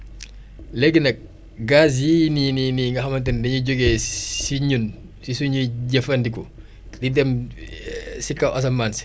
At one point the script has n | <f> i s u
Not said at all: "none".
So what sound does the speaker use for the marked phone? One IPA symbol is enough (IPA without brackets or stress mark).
s